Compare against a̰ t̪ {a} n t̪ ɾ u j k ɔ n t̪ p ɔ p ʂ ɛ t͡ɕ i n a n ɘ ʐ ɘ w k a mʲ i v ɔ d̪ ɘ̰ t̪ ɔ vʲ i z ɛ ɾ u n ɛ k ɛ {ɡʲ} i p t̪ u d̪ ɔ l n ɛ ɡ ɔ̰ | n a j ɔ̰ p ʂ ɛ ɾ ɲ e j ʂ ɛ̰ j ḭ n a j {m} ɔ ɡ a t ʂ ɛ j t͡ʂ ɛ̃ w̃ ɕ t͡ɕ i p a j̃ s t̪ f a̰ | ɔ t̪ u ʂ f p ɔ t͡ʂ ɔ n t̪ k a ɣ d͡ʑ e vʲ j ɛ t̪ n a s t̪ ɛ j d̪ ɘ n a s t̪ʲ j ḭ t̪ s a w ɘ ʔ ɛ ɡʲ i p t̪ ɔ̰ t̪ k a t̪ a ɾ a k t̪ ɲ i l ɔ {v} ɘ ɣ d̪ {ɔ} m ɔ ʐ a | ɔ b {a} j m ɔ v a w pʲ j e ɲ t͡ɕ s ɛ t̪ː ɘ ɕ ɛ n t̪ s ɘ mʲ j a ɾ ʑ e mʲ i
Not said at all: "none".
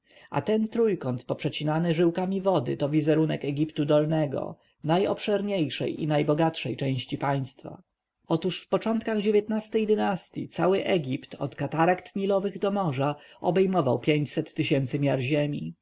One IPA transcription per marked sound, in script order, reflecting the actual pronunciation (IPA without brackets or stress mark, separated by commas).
ɛ, ɡʲ, b, v, ɔ, ɛ